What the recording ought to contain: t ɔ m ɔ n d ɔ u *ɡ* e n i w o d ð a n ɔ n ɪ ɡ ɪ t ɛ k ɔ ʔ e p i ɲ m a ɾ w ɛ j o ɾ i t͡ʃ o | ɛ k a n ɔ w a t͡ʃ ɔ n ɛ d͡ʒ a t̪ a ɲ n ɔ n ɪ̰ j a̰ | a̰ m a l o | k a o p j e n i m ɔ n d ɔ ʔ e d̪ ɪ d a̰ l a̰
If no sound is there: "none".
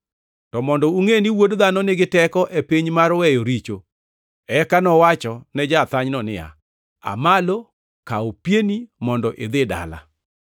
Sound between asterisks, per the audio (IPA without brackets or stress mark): ŋ